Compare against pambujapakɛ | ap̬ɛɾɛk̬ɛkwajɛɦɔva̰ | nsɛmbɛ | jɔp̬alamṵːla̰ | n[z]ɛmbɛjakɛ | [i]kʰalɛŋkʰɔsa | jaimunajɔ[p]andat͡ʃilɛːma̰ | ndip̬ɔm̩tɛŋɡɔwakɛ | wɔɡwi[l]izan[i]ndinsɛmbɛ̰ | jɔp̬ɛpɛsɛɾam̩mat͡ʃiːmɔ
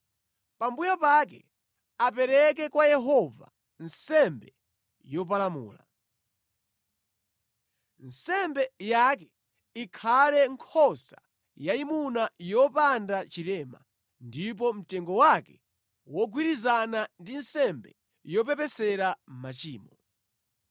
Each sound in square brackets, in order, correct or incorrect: incorrect: s, correct, correct, incorrect: ɾ, incorrect: a

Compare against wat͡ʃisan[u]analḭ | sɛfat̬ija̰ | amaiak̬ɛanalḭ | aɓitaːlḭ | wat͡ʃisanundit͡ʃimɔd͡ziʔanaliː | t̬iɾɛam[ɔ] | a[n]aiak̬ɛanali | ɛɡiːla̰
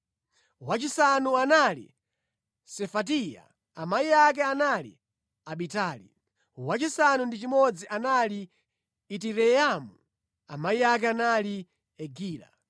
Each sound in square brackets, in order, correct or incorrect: correct, incorrect: u, incorrect: m

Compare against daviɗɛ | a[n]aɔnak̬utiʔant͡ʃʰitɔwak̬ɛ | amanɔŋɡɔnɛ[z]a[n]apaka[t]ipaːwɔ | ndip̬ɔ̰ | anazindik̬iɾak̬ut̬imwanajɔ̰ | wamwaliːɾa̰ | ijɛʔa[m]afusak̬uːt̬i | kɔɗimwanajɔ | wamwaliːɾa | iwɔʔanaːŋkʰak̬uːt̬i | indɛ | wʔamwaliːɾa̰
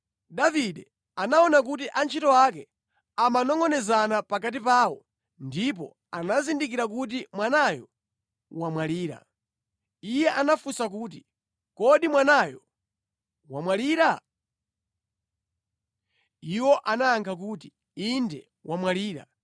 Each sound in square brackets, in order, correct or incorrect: correct, correct, correct, correct, incorrect: n

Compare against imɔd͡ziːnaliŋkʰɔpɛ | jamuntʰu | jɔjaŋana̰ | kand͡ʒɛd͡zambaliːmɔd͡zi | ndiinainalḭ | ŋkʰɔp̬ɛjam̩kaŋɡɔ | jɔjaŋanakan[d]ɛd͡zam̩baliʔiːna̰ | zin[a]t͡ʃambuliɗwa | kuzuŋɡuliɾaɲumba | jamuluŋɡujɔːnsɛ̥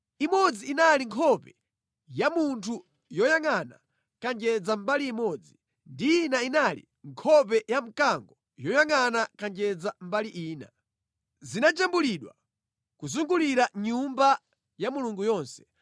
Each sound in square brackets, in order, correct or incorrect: incorrect: d͡ʒ, correct

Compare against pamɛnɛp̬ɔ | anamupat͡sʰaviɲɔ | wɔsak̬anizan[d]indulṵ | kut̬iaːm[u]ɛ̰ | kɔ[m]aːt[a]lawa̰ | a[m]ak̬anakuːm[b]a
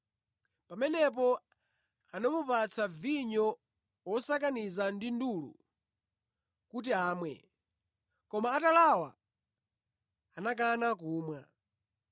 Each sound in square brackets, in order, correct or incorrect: correct, incorrect: w, correct, correct, incorrect: n, incorrect: w

